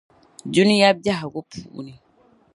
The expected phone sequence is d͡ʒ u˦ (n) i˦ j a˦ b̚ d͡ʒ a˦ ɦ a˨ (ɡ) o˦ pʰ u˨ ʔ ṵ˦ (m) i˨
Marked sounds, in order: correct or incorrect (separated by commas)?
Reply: correct, correct, incorrect